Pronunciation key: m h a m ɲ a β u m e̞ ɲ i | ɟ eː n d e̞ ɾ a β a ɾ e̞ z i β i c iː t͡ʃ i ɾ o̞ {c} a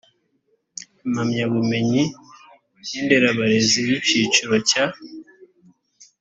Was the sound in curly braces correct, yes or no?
yes